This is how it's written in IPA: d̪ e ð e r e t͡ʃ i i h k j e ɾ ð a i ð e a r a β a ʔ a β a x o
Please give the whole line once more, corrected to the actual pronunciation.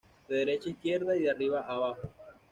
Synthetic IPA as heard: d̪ e ð e ɾ e t͡ʃ a i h k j e ɾ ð a i ð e a r i β a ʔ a β a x o